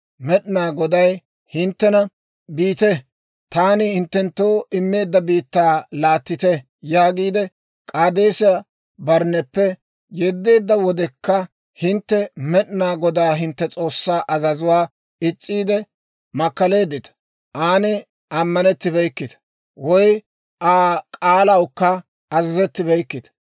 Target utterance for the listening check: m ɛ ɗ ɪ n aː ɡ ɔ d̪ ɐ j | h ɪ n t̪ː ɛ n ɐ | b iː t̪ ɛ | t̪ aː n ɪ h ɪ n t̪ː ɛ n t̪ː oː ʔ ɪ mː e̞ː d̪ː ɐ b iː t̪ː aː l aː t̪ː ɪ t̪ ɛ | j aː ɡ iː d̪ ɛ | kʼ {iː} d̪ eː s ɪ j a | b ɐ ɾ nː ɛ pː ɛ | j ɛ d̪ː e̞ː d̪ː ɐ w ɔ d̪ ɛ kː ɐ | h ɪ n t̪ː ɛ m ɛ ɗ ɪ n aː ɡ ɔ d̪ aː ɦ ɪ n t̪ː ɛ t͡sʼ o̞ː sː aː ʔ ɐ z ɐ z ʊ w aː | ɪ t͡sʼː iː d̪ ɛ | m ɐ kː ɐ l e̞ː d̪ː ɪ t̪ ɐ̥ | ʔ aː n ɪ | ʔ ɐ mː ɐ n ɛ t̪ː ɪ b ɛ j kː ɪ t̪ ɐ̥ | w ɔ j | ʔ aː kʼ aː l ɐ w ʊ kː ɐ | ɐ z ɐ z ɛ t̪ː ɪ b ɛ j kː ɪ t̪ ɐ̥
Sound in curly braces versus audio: incorrect: aː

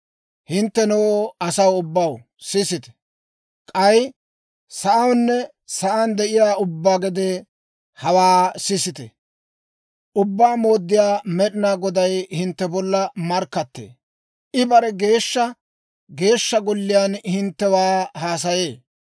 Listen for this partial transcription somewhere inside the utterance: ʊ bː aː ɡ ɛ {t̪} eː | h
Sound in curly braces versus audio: incorrect: d̪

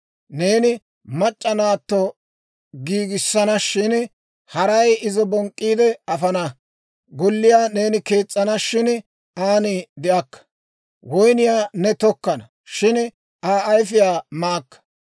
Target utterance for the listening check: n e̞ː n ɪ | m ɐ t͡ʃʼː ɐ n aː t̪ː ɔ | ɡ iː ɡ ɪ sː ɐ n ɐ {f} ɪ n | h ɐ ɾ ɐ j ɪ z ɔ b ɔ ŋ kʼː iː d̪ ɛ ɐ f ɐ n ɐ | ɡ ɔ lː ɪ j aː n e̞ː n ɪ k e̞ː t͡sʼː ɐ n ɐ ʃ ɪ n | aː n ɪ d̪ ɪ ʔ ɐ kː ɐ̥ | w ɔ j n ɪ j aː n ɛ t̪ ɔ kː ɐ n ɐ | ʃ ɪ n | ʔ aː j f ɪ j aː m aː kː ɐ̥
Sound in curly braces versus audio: incorrect: ʃ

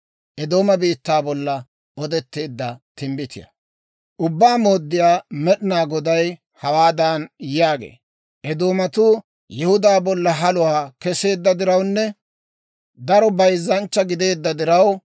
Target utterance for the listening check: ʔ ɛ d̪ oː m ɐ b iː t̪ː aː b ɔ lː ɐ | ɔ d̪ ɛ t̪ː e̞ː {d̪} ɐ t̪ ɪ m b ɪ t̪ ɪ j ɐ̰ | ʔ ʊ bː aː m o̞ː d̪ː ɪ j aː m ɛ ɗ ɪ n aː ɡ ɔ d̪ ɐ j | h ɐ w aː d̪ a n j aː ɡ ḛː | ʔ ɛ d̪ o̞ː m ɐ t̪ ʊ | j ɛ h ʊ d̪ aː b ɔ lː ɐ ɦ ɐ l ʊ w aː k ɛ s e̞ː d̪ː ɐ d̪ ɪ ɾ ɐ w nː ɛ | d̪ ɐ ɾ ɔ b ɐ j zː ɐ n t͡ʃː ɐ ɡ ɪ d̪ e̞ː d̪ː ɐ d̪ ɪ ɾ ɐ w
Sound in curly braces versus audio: incorrect: d̪ː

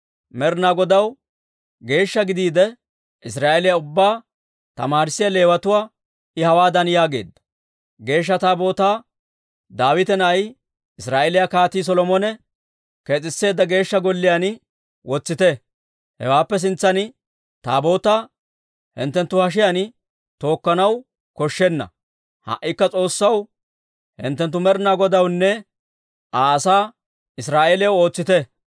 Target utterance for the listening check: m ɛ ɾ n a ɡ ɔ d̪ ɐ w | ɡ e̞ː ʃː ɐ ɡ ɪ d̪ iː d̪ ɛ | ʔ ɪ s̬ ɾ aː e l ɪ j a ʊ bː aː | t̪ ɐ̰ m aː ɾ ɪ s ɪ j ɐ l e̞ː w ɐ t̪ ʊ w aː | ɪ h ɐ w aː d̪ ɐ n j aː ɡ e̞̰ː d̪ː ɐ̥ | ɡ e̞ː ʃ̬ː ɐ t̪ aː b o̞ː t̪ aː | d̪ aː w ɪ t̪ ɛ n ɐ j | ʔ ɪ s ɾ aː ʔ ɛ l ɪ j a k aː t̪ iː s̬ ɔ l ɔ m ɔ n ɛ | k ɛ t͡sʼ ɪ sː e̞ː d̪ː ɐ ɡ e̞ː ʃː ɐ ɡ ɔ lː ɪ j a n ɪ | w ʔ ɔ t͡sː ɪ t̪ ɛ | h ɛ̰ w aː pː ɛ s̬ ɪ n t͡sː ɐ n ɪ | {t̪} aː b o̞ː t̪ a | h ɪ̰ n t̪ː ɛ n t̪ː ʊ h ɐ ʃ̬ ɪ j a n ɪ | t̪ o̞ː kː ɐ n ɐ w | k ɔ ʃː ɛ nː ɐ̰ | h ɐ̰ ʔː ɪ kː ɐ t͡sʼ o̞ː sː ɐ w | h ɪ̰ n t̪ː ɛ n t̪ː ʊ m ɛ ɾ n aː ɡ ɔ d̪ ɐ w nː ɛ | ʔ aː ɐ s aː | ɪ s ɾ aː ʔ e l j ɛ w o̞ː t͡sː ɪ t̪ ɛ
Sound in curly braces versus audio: correct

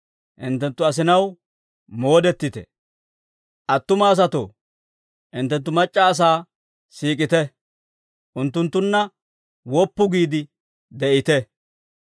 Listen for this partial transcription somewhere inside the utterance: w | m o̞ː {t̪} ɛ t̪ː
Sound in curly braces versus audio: incorrect: d̪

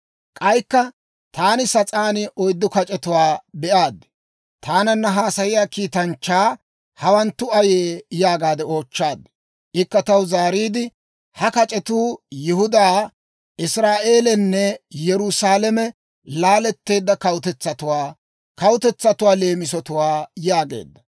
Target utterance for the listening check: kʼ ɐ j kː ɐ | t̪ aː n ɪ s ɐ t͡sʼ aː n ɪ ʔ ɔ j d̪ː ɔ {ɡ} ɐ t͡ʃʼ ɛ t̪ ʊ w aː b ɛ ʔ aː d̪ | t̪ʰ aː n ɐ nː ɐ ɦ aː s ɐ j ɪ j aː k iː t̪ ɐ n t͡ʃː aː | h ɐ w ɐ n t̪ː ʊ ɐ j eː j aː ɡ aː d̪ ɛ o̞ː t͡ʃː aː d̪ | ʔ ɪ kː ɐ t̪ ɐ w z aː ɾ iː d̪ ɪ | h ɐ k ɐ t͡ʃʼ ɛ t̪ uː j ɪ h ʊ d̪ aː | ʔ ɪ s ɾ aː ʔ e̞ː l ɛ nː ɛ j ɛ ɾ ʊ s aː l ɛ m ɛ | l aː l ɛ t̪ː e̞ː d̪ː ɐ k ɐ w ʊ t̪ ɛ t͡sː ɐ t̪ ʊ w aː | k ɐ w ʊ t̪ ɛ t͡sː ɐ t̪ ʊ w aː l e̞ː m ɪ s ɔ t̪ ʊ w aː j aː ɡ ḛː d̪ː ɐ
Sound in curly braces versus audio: incorrect: k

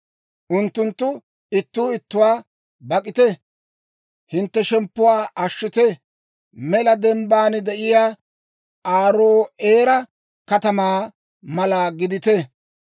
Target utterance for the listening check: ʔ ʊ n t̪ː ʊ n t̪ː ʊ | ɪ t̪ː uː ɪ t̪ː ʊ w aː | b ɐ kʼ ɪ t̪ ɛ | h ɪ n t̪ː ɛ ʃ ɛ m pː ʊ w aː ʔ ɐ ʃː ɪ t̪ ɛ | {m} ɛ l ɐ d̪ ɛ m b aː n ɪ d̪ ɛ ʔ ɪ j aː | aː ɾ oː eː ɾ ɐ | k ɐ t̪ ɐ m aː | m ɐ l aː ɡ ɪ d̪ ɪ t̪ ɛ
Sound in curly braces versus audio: correct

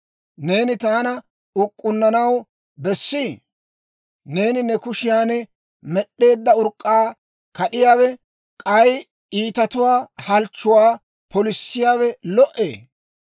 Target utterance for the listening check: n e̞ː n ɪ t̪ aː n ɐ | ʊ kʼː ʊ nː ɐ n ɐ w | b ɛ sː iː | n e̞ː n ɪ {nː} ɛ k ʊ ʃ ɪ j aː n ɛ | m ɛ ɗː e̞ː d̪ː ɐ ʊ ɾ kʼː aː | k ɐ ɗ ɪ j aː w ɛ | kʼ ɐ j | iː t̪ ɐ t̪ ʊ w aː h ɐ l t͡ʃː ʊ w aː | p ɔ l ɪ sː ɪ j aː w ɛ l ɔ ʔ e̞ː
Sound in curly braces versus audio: incorrect: n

